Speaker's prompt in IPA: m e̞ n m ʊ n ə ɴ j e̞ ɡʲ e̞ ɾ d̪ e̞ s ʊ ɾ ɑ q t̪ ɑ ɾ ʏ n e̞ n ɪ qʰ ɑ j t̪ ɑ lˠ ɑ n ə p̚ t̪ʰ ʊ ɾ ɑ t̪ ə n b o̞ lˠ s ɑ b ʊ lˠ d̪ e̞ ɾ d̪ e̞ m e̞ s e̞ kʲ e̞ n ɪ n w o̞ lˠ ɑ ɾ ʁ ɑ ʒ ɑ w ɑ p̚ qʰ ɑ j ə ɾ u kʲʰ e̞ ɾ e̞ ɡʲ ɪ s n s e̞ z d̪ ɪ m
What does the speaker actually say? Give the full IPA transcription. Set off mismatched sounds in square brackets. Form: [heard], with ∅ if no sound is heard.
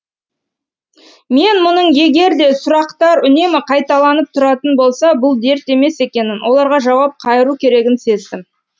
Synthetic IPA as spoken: m e̞ n m ʊ n ə ɴ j e̞ ɡʲ e̞ ɾ d̪ e̞ s ʊ ɾ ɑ q t̪ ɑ ɾ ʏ n e̞ [m] ɪ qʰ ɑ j t̪ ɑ lˠ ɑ n ə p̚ t̪ʰ ʊ ɾ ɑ t̪ ə n b o̞ lˠ s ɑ b ʊ lˠ d̪ e̞ ɾ [t̪] e̞ m e̞ s e̞ kʲ e̞ n ɪ n w o̞ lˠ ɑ ɾ ʁ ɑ ʒ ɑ w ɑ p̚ qʰ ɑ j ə ɾ u kʲʰ e̞ ɾ e̞ ɡʲ ɪ [∅] n s e̞ z d̪ ɪ m

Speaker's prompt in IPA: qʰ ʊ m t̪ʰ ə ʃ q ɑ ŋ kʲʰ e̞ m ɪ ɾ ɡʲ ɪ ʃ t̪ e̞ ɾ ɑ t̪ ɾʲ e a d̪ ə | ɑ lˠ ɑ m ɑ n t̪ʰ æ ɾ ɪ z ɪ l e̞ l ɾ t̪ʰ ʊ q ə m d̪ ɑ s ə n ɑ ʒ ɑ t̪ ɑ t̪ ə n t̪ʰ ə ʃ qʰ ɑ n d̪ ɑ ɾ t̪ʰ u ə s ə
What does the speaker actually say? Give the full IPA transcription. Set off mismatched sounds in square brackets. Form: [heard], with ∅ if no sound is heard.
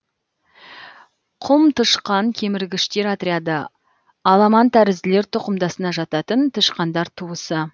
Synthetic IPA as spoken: qʰ ʊ m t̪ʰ ə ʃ q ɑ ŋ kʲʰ e̞ m ɪ ɾ ɡʲ ɪ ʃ t̪ e̞ ɾ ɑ t̪ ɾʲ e a d̪ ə | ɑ lˠ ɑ m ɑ n t̪ʰ æ ɾ ɪ z ɪ l e̞ [∅] ɾ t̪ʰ ʊ q ə m d̪ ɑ s ə n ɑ ʒ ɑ t̪ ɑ t̪ ə n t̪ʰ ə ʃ [q] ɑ n d̪ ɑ ɾ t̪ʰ u ə s ə

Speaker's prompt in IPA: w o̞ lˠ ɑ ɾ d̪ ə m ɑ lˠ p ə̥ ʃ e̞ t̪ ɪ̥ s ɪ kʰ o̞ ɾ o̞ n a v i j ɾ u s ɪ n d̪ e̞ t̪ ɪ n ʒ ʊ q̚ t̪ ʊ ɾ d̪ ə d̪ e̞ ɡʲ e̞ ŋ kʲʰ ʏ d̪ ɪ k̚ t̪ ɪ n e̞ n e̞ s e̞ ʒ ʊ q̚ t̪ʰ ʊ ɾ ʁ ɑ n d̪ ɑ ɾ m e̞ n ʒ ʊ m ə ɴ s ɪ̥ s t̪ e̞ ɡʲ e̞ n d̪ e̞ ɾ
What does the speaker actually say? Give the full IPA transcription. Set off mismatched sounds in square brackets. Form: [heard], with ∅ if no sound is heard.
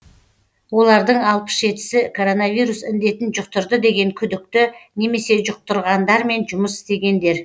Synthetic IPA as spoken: w o̞ lˠ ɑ ɾ d̪ ə [ɴ] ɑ lˠ p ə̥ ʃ e̞ t̪ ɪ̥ s ɪ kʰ o̞ ɾ o̞ n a v i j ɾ u s ɪ n d̪ e̞ t̪ ɪ n ʒ ʊ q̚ t̪ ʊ ɾ d̪ ə d̪ e̞ ɡʲ e̞ ŋ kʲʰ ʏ d̪ ɪ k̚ t̪ ɪ n e̞ [m] e̞ s e̞ ʒ ʊ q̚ [t̪] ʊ ɾ ʁ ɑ n d̪ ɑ ɾ m e̞ n ʒ ʊ m ə [∅] s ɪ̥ s t̪ e̞ ɡʲ e̞ n d̪ e̞ ɾ

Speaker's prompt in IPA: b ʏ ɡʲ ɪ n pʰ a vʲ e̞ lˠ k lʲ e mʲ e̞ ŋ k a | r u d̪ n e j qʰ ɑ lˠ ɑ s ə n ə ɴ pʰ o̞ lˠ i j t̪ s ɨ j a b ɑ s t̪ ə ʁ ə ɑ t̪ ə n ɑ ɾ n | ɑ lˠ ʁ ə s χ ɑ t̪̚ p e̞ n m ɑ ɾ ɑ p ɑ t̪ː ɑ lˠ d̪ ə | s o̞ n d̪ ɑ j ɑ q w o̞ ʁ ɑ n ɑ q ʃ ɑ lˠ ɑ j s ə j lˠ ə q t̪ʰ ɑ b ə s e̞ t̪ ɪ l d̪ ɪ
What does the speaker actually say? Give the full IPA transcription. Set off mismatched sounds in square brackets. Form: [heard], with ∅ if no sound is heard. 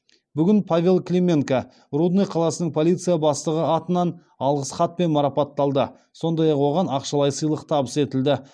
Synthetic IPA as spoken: b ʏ ɡʲ ɪ n pʰ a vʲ e̞ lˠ k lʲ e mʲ e̞ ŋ k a | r u d̪ n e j qʰ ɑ lˠ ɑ s ə n ə ɴ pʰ o̞ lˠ i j t̪ s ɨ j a b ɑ s t̪ ə ʁ ə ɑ t̪ ə n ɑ [∅] n | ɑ lˠ ʁ ə s χ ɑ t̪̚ p e̞ n m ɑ ɾ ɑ p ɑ t̪ː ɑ lˠ d̪ ə | s o̞ n d̪ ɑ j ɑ q w o̞ ʁ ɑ n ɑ q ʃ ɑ lˠ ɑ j s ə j lˠ ə q t̪ʰ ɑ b ə s e̞ t̪ ɪ l d̪ ɪ

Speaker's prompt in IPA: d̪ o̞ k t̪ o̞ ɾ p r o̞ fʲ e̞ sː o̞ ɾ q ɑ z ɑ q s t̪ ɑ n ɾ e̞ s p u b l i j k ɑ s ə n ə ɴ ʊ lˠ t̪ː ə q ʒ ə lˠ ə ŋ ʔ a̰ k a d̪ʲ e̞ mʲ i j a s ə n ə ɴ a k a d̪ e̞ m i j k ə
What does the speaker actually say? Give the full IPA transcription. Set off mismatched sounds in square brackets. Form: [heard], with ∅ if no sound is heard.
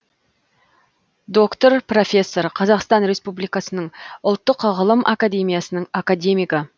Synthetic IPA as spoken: d̪ o̞ k t̪ o̞ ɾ p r o̞ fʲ e̞ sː o̞ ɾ [qʰ] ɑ z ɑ q s t̪ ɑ n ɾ e̞ s p u b l i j k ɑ s ə n ə ɴ ʊ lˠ t̪ː ə q [ʁ] ə lˠ ə [m] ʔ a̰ k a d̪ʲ e̞ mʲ i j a s ə n ə ɴ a k a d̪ e̞ m i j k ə

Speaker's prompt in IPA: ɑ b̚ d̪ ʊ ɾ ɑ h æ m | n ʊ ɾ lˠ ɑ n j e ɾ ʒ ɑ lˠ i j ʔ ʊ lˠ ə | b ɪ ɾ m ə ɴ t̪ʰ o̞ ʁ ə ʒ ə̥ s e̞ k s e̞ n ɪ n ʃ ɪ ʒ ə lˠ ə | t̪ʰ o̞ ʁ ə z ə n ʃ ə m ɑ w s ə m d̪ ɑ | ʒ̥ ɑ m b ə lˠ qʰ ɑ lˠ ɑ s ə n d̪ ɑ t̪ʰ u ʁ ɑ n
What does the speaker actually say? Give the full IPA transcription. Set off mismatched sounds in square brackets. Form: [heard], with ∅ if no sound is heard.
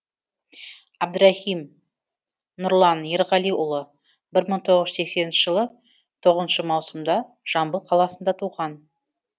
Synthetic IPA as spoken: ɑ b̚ d̪ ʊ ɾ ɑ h [i] m | n ʊ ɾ lˠ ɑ n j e ɾ [ʁ] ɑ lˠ i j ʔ ʊ lˠ ə | b ɪ ɾ m ə ɴ t̪ʰ o̞ ʁ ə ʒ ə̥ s e̞ k s e̞ n ɪ n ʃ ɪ ʒ ə lˠ ə | t̪ʰ o̞ ʁ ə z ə n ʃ ə m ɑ w s ə m d̪ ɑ | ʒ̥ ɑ m b ə lˠ qʰ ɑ lˠ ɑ s ə n d̪ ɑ t̪ʰ u ʁ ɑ n

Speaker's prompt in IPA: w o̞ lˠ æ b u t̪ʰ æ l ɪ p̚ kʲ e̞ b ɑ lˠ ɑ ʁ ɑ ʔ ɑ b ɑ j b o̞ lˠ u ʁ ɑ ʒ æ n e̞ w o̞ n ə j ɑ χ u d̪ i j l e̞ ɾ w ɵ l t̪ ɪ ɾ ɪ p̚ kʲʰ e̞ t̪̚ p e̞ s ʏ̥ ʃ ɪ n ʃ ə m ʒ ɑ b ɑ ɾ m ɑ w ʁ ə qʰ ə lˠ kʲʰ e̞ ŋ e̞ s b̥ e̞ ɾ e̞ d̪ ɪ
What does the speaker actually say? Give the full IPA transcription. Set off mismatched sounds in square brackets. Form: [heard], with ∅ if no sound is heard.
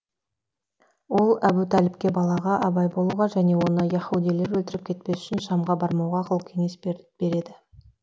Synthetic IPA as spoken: w o̞ lˠ æ b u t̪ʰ æ l ɪ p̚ kʲ e̞ b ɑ lˠ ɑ ʁ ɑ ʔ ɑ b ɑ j b o̞ lˠ u ʁ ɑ ʒ æ n e̞ w o̞ n ə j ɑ χ u d̪ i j l e̞ ɾ w ɵ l t̪ ɪ ɾ ɪ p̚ kʲʰ e̞ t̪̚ p e̞ s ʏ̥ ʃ ɪ n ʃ [ɑ] m [ʁ] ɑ b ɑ ɾ m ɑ w ʁ [ɑ] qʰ ə lˠ kʲʰ e̞ ŋ e̞ s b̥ e̞ ɾ e̞ d̪ ɪ

